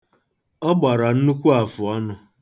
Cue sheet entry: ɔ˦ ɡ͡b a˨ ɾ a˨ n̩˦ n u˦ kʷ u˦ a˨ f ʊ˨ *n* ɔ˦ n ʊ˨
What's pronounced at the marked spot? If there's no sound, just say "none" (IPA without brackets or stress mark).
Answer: none